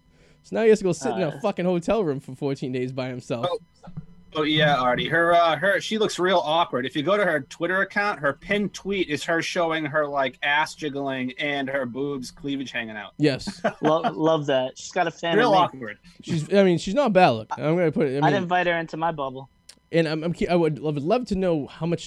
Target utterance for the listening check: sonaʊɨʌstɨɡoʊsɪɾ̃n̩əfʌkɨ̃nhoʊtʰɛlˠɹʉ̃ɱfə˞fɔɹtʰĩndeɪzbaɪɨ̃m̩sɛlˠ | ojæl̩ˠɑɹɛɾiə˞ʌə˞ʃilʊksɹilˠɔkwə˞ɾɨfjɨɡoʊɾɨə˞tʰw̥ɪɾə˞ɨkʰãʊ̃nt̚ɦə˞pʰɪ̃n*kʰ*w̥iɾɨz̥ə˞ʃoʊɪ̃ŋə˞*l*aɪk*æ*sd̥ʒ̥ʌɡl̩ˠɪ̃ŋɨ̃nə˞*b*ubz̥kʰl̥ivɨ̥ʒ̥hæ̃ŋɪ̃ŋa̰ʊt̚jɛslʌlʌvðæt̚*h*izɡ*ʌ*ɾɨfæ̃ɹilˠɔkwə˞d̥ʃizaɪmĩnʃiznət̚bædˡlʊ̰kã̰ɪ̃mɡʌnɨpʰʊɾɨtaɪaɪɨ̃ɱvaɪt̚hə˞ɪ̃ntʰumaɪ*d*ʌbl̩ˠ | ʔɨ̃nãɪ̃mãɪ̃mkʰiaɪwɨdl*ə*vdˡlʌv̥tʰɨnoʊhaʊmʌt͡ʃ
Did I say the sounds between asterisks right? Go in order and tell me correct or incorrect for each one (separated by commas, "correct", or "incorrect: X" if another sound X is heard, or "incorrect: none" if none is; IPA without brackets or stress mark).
incorrect: tʰ, correct, correct, correct, incorrect: ʃ, incorrect: ɑ, incorrect: b, incorrect: ʌ